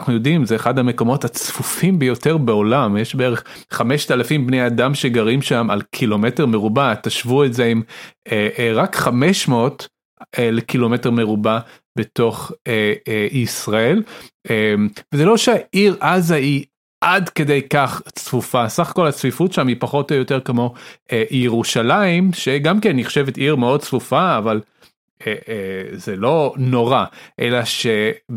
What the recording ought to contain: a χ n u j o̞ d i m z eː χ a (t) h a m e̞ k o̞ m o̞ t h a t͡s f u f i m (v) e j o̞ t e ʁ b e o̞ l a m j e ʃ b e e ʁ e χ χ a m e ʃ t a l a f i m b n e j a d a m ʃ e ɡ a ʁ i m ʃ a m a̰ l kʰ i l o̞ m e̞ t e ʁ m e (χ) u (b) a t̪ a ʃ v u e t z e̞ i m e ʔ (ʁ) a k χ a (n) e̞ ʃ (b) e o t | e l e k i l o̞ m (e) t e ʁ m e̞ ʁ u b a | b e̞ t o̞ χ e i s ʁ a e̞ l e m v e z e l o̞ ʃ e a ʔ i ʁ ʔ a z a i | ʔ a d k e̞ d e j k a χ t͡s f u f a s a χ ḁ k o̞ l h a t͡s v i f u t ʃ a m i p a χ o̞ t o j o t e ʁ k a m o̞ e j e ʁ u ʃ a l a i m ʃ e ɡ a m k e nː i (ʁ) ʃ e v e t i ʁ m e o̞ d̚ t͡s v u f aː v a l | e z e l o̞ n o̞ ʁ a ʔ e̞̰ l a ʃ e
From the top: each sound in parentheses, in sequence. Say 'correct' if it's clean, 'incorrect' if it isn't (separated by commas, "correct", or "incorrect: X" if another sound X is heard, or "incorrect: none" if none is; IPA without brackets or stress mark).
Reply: incorrect: d, incorrect: b, incorrect: ʁ, correct, correct, incorrect: m, incorrect: m, correct, incorrect: χ